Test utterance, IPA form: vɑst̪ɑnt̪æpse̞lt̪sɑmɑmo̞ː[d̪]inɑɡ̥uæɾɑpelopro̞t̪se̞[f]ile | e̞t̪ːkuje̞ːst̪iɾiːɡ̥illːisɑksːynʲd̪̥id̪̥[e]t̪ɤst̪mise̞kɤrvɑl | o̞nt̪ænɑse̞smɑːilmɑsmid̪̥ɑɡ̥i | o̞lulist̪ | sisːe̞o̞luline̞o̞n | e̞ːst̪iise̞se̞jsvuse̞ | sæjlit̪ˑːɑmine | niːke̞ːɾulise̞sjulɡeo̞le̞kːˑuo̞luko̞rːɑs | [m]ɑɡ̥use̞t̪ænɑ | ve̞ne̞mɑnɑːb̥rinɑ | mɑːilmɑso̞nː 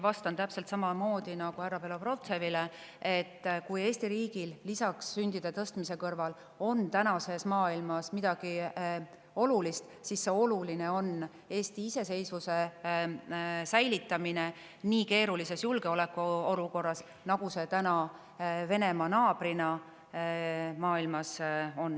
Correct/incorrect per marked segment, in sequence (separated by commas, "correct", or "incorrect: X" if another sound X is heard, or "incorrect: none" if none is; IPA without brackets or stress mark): correct, incorrect: v, correct, incorrect: n